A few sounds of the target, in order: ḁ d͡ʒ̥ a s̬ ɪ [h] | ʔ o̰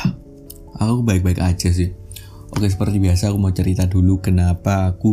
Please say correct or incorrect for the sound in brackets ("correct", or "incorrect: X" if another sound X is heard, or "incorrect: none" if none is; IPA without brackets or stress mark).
correct